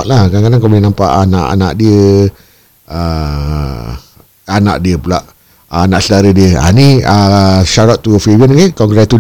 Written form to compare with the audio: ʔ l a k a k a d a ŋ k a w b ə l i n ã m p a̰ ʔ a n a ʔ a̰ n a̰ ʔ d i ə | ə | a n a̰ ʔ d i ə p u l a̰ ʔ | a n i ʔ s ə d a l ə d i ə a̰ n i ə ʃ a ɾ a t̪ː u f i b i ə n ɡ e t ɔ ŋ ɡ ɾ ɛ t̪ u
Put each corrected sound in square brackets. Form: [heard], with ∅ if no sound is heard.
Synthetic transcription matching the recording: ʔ l a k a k a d a ŋ k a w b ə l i n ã m p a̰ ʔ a n a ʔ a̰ n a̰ ʔ d i ə | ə | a n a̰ ʔ d i ə p u l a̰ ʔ | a n [a] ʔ s ə d a [ɾ] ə d i ə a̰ n i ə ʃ a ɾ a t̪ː u f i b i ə n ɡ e [k] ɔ ŋ ɡ ɾ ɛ t̪ u